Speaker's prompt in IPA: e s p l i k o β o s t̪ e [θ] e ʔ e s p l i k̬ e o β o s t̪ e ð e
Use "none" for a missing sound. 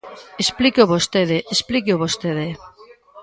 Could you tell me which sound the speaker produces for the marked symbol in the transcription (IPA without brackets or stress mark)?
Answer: ð